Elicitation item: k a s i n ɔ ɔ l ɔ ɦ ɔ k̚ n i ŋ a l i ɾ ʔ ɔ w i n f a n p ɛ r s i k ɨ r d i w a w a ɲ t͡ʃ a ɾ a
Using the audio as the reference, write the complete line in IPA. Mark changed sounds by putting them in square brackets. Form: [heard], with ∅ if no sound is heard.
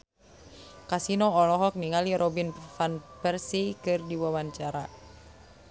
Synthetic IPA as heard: k a s i n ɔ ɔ l ɔ ɦ ɔ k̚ n i ŋ a l i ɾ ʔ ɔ [b] i n f a n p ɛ r s i k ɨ r d i w a w a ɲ t͡ʃ a ɾ a